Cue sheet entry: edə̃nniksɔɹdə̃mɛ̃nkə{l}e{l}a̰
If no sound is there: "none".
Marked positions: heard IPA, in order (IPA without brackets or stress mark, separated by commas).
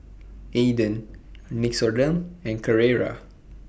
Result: ɹ, ɹ